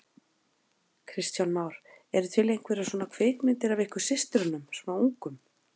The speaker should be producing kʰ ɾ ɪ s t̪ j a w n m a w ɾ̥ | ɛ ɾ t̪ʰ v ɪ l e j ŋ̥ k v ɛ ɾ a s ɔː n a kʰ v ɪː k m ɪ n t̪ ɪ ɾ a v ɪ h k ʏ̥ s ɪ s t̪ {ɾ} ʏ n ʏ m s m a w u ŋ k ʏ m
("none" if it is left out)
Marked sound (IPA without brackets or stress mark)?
ɾ